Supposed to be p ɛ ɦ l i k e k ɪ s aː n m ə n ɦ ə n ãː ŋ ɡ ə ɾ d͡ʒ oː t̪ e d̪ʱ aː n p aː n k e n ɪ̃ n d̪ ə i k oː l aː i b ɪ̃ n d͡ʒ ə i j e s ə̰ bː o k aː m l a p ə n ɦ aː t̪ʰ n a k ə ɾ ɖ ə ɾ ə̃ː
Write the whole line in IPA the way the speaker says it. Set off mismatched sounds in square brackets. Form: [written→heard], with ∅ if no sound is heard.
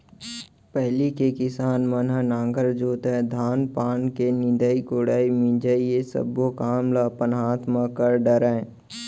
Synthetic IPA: p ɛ ɦ l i k e k ɪ s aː n m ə n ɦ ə n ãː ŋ ɡ ə ɾ d͡ʒ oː t̪ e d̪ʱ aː n p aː n k e n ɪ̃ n d̪ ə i k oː [l→ɽ] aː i [b→m] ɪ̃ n d͡ʒ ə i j e s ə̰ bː o k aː m l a p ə n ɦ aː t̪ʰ [n→m] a k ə ɾ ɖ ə ɾ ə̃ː

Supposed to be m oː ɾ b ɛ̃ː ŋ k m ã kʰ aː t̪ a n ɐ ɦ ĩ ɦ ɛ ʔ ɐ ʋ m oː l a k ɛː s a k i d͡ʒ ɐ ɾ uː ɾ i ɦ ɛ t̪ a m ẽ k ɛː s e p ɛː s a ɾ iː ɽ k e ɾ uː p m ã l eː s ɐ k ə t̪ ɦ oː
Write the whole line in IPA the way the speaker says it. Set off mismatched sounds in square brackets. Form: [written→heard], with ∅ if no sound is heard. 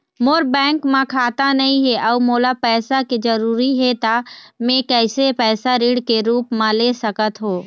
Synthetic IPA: m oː ɾ b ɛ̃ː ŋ k m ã kʰ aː t̪ a n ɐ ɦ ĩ ɦ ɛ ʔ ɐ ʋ m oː l a [k→p] ɛː s a k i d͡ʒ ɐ ɾ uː ɾ i ɦ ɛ t̪ a m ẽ k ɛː s e p ɛː s a ɾ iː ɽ k e ɾ uː p m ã l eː s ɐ k ə t̪ ɦ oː

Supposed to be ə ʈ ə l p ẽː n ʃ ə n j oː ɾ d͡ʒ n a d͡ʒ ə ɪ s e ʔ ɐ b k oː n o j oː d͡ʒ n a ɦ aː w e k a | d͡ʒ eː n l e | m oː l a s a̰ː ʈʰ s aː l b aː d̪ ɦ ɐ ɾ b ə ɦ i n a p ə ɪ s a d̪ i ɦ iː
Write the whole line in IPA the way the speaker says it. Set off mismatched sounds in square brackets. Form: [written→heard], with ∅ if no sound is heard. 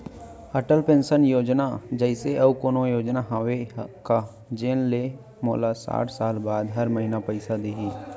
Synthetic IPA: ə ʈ ə l p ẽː n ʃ ə n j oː [ɾ→∅] d͡ʒ n a d͡ʒ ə ɪ s e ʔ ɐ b k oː n o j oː d͡ʒ n a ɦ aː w e k a | d͡ʒ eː n l e | m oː l a s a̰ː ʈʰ s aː l b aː d̪ ɦ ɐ ɾ [b→m] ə ɦ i n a p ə ɪ s a d̪ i ɦ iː

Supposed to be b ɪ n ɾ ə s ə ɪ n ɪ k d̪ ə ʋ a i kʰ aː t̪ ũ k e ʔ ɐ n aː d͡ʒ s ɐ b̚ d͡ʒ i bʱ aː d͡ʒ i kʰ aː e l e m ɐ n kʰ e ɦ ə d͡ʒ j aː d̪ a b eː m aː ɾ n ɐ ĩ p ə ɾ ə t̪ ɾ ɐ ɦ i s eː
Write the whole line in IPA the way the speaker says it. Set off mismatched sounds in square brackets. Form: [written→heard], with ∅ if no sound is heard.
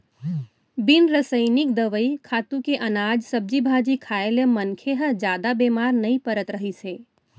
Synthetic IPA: b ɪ n ɾ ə s ə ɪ n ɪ k d̪ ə ʋ [a→ə] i kʰ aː t̪ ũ k e ʔ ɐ n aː d͡ʒ s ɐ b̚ d͡ʒ i bʱ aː d͡ʒ i kʰ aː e l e m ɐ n kʰ e ɦ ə d͡ʒ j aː d̪ a b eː m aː ɾ n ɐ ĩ p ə ɾ ə t̪ ɾ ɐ ɦ i s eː

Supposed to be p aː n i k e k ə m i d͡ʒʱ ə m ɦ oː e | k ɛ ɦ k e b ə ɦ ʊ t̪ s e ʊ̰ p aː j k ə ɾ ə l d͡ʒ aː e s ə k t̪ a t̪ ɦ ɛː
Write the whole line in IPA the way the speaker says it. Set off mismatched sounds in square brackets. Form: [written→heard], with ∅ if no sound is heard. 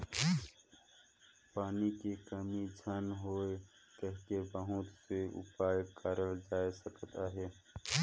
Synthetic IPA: p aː n i k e k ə m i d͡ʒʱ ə [m→n] ɦ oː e | k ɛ ɦ k e b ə ɦ ʊ t̪ s e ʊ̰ p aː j k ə ɾ ə l d͡ʒ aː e s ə k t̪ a [t̪→∅] ɦ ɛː

